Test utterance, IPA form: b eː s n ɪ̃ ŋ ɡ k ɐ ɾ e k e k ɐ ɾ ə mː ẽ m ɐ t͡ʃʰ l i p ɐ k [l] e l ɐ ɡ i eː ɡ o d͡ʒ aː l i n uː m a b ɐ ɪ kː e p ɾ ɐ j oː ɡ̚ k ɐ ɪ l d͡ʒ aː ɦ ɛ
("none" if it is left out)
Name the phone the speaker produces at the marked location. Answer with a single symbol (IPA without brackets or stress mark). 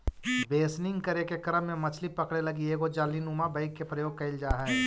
ɽ